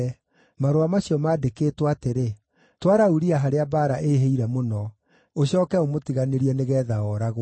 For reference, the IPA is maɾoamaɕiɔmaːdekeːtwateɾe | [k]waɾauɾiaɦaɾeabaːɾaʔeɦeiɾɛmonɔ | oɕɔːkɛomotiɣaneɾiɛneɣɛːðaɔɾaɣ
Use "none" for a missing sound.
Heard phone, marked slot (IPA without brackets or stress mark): t